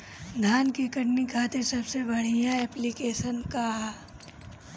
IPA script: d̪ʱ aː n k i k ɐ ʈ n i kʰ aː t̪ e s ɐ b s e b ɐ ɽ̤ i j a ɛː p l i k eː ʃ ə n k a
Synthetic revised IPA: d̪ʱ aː n k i k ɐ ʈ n i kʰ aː t̪ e s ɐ b s e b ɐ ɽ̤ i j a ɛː p l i k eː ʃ ə n k a